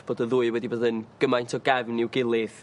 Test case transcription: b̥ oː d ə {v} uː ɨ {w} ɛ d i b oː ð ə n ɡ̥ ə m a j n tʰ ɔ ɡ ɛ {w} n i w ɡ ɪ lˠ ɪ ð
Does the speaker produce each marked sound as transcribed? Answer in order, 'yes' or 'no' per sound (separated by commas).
no, yes, no